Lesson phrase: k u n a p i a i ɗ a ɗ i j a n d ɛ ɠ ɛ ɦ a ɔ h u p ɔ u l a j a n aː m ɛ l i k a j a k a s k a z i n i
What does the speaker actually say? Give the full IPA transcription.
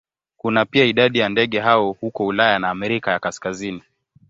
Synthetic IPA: k u n a p i a i ɗ a ɗ i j a n d ɛ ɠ ɛ ɦ a ɔ h u k ɔ u l a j a n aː m ɛ ɾ i k a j a k a s k a z i n i